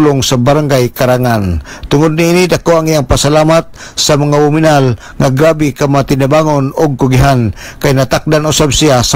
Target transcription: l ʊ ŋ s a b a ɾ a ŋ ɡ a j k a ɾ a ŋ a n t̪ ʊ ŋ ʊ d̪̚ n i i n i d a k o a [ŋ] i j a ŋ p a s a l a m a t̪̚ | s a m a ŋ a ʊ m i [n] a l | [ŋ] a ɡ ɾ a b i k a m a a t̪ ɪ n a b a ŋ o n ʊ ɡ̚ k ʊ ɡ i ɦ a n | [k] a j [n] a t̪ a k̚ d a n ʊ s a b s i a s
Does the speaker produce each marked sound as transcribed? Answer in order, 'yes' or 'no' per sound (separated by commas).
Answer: yes, yes, yes, yes, yes